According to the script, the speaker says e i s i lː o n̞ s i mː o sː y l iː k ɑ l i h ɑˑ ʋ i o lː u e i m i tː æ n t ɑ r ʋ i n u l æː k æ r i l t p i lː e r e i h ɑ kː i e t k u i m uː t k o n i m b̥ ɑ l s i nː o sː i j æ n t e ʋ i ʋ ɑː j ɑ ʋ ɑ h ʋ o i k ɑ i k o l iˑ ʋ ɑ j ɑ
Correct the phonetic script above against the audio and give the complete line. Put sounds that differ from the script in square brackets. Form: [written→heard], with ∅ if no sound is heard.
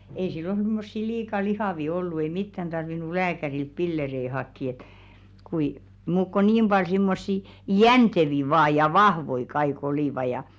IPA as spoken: e i s i lː o n̞ s i mː o sː [y→i] l iː k ɑ l i h ɑˑ ʋ i o lː u e i m i tː æ n t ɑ r ʋ i n u l æː k æ r i l t p i lː e r e i h ɑ kː i e t k u i m uː [t→k] k o n i m b̥ ɑ l s i [nː→mː] o sː i j æ n t e ʋ i ʋ ɑː j ɑ ʋ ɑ h ʋ o i k ɑ i k o l iˑ ʋ ɑ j ɑ